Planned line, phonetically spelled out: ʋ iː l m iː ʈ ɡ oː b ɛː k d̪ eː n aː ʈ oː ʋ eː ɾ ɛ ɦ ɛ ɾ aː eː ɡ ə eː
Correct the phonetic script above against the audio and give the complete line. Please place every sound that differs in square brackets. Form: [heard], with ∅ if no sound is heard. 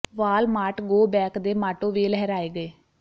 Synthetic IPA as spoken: ʋ [aː] l m [aː] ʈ ɡ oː b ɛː k d̪ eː [m] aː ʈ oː ʋ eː [l] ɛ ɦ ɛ ɾ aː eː ɡ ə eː